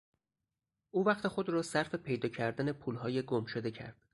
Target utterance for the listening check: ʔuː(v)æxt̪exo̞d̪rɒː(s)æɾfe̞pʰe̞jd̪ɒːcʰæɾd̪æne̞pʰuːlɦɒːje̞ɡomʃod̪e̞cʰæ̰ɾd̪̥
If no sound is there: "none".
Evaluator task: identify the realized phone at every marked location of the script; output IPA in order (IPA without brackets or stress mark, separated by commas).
v, s